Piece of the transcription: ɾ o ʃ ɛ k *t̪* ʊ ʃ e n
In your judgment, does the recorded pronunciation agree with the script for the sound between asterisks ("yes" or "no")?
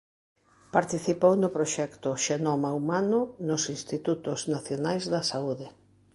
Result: yes